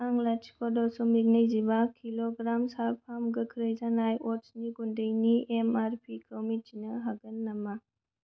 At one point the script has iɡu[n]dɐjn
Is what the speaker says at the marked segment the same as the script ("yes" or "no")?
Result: yes